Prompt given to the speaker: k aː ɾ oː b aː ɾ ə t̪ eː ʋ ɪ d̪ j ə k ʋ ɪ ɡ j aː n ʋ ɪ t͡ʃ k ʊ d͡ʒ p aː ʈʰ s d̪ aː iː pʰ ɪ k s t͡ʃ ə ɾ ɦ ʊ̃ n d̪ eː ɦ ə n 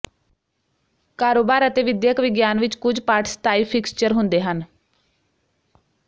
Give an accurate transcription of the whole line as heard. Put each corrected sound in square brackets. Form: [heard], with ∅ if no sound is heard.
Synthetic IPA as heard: k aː ɾ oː b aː ɾ ə t̪ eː ʋ ɪ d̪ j ə k ʋ ɪ ɡ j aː n ʋ ɪ t͡ʃ k ʊ d͡ʒ p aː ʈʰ s [t̪] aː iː pʰ ɪ k s t͡ʃ ə ɾ ɦ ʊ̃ n d̪ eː ɦ ə n